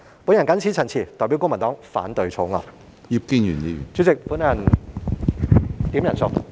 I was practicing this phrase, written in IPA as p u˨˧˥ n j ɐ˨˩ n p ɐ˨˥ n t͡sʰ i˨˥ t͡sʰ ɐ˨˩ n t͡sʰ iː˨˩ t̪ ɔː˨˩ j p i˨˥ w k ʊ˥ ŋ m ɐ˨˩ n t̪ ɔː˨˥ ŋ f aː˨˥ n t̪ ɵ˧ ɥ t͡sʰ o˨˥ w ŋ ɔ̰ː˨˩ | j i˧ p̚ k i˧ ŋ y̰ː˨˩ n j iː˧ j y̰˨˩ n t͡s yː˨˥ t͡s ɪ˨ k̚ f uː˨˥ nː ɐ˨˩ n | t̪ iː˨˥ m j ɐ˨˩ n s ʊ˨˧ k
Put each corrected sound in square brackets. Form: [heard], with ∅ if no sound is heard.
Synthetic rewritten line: p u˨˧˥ n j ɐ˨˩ n [k] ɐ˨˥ n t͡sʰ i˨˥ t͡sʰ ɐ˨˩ n t͡sʰ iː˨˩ t̪ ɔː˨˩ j p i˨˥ w k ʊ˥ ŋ m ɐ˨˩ n t̪ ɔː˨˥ ŋ f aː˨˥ n t̪ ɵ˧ ɥ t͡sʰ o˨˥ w ŋ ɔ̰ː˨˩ | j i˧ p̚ k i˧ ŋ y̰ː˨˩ n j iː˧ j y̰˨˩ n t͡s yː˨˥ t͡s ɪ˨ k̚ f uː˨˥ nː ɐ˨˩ n | t̪ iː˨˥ m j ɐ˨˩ n s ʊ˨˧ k

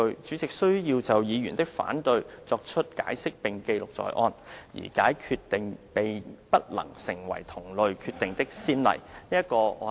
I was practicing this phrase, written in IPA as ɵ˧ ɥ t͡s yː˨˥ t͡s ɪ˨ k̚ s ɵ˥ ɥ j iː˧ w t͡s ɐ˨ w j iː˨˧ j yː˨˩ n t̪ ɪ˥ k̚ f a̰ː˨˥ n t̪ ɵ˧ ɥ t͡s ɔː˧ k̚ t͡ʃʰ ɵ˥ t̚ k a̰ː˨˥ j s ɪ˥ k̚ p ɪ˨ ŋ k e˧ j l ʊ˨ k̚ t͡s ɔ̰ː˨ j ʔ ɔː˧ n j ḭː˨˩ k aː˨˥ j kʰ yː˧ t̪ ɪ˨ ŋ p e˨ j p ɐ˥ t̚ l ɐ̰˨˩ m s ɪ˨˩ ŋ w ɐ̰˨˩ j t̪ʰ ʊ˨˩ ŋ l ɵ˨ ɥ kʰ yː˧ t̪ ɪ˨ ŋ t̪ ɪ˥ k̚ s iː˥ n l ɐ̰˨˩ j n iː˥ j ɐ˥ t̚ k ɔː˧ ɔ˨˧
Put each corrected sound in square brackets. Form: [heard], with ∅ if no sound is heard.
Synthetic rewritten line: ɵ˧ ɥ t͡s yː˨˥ t͡s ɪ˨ k̚ s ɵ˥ ɥ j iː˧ w t͡s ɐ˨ w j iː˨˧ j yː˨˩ n t̪ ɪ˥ k̚ f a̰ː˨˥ n t̪ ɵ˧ ɥ t͡s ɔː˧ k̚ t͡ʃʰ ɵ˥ t̚ k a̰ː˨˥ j s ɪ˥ k̚ p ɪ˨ ŋ k e˧ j l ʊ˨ k̚ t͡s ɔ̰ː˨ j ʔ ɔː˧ n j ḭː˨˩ k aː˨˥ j kʰ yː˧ t̪ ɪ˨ ŋ p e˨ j p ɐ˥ t̚ l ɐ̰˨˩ [ŋ] s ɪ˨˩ ŋ w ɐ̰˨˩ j t̪ʰ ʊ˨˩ ŋ l ɵ˨ ɥ kʰ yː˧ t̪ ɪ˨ ŋ t̪ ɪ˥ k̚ s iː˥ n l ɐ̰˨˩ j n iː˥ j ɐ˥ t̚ k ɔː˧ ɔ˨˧

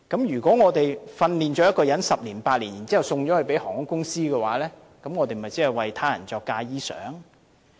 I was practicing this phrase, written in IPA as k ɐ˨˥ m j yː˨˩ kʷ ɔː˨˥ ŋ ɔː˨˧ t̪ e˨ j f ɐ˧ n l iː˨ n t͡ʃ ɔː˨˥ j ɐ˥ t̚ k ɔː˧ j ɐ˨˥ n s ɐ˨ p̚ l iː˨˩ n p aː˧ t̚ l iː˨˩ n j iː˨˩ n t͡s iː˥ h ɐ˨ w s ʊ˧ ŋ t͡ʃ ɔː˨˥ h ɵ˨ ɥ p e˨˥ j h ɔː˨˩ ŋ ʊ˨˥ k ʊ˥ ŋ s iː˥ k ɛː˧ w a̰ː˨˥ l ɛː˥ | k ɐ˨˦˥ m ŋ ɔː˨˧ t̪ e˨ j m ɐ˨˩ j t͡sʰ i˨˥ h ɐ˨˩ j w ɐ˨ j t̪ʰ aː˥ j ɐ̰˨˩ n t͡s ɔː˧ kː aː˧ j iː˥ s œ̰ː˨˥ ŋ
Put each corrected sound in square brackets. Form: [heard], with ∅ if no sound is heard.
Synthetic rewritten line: k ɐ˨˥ m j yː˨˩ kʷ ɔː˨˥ ŋ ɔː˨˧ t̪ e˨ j f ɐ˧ n l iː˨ n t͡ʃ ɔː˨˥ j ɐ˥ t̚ k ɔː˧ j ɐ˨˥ n s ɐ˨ p̚ l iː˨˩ n p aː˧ t̚ l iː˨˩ n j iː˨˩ n t͡s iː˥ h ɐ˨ w s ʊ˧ ŋ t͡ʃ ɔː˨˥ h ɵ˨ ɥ p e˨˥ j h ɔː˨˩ ŋ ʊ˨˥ k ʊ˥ ŋ s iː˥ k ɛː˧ w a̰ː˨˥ l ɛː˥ | k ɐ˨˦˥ m ŋ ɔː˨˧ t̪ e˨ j m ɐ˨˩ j [t͡s] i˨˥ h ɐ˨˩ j w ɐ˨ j t̪ʰ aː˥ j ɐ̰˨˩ n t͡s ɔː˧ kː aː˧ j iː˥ s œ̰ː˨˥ ŋ

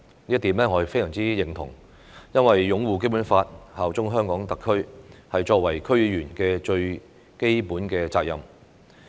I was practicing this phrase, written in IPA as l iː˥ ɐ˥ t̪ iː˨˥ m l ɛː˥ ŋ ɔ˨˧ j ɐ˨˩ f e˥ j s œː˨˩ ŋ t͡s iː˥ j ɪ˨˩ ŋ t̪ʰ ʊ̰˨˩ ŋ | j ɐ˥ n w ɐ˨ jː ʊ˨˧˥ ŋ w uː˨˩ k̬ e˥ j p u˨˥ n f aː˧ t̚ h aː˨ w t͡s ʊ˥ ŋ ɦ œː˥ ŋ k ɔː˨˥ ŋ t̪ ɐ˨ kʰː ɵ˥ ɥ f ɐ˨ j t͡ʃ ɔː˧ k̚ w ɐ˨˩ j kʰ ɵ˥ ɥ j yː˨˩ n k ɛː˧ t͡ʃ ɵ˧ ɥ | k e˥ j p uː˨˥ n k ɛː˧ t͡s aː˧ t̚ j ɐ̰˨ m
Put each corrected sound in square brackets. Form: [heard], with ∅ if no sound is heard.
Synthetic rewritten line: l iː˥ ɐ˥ t̪ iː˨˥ m l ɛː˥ ŋ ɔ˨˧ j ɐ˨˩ f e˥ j s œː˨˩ ŋ t͡s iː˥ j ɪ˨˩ ŋ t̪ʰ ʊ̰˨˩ ŋ | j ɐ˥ n w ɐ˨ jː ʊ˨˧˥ ŋ w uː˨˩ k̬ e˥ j p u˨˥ n f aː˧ t̚ h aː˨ w t͡s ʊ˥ ŋ ɦ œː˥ ŋ k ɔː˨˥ ŋ t̪ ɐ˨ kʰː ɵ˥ ɥ [h] ɐ˨ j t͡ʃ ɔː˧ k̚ w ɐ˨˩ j kʰ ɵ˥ ɥ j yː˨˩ n k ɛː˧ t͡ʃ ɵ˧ ɥ | k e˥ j p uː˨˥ n k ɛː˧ t͡s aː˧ [k̚] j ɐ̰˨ m

